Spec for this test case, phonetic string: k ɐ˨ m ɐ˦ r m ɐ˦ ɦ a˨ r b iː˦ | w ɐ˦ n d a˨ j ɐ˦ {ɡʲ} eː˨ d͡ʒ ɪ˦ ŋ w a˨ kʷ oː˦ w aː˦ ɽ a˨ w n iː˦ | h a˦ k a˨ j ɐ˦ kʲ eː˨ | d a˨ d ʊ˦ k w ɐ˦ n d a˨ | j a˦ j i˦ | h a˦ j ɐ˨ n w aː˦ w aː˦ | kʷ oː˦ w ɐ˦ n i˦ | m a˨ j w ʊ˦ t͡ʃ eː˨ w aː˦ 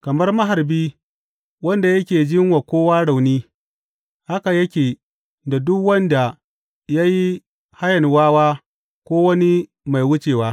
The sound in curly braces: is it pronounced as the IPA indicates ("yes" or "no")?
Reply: no